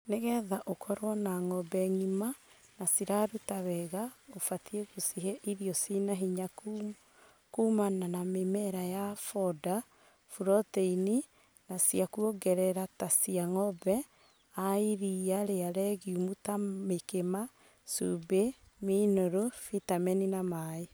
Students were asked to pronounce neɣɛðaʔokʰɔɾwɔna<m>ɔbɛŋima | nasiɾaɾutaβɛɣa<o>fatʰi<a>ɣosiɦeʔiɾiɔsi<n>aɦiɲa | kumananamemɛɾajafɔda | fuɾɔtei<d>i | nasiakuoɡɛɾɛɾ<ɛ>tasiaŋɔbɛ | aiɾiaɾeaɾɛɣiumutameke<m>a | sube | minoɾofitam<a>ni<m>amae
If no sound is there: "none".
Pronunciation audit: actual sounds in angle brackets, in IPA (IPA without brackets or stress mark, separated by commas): ŋ, o, e, n, n, a, m, ɛ, n